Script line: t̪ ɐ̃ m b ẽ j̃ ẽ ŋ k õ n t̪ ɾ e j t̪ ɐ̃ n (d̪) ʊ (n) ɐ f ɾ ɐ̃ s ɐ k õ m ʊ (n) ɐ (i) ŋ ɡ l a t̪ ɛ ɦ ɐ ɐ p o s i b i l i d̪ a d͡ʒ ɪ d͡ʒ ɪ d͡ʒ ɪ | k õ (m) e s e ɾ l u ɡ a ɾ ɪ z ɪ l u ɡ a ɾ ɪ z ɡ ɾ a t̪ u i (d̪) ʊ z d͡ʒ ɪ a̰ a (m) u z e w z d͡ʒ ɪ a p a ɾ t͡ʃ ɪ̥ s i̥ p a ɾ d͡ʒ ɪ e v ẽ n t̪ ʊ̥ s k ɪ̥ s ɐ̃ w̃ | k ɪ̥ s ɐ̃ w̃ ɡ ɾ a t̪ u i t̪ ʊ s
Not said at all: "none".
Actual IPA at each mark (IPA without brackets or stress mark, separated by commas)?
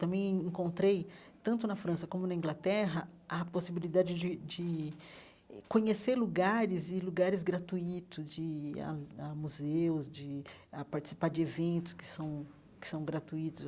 t̪, n, n, ĩ, ɲ, t̪, m